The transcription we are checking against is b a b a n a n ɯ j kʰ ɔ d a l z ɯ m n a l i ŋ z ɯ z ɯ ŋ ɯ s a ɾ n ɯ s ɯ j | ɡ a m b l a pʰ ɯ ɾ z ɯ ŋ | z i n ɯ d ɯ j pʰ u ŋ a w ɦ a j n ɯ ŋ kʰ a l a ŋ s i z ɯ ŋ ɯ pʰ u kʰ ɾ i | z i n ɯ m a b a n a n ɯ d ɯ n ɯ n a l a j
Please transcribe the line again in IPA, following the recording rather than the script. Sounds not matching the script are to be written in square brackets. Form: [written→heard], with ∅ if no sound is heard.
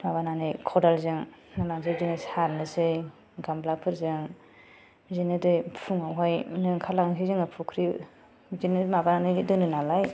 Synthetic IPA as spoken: [b→m] a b a n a n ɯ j kʰ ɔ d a l z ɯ [m→ŋ] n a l [i→a] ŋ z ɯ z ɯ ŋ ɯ s a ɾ n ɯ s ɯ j | ɡ a m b l a pʰ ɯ ɾ z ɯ ŋ | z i n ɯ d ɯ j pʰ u ŋ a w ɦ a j n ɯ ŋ kʰ a l a ŋ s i z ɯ ŋ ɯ pʰ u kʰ ɾ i | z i n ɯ m a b a n a n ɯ d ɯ n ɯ n a l a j